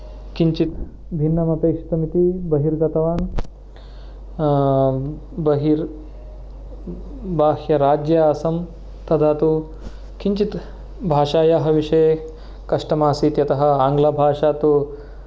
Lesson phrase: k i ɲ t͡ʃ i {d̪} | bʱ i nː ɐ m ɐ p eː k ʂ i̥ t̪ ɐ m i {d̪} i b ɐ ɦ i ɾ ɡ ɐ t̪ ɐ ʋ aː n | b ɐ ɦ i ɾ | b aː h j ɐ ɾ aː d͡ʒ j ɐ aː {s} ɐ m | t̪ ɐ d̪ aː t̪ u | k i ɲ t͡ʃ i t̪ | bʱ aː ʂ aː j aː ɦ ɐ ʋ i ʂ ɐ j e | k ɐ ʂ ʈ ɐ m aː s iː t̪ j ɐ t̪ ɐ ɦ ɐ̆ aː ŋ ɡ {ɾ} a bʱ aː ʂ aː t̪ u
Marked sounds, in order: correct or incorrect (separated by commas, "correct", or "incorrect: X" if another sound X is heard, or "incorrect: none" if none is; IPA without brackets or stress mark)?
incorrect: t̪, incorrect: t̪, correct, incorrect: l